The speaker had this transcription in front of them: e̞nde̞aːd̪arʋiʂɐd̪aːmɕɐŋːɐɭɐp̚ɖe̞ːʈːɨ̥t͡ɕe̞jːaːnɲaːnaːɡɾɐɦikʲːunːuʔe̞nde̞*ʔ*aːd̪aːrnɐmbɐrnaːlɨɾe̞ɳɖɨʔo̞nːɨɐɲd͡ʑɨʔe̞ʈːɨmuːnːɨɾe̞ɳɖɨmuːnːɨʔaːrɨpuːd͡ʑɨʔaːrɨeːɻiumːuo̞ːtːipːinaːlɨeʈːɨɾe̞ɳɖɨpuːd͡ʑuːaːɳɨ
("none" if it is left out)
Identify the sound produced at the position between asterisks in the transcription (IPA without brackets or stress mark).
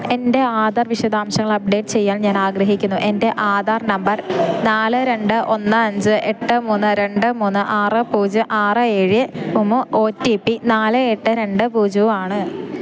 ʔ